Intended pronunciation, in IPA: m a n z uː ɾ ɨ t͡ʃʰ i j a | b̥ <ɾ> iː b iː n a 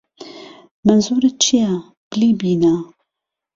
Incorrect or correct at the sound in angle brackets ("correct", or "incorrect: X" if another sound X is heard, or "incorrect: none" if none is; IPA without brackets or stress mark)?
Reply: incorrect: l